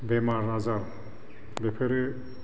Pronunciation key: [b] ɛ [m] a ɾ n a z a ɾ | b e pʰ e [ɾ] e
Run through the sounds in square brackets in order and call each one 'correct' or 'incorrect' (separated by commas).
correct, correct, correct